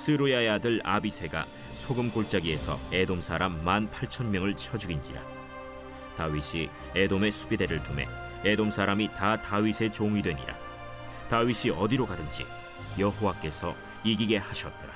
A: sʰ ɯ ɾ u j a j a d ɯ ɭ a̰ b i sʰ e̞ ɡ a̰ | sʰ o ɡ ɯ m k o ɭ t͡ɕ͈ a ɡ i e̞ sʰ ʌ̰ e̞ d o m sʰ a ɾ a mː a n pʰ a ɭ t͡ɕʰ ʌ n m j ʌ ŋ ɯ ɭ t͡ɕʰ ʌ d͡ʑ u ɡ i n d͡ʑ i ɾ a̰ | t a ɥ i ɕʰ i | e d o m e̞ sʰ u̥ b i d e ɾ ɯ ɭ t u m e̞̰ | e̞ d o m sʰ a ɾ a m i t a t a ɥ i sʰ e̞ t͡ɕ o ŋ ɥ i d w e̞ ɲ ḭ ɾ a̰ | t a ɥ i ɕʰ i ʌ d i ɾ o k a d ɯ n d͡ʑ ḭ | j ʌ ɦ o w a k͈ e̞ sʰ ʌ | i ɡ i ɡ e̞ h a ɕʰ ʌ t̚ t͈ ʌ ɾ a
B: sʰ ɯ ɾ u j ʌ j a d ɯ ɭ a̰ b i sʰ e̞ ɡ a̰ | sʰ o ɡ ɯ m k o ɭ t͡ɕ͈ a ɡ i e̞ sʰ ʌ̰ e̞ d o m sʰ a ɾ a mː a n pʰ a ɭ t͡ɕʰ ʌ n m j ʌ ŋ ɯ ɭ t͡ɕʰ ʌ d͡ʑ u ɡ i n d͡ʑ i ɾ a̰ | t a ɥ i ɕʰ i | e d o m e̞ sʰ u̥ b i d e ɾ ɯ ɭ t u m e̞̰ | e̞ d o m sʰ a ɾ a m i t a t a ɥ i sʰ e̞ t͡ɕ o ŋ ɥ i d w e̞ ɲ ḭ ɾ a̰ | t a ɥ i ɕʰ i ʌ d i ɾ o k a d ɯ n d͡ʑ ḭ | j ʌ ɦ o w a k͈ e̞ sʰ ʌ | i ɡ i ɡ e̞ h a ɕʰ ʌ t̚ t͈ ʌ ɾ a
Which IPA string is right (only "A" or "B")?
A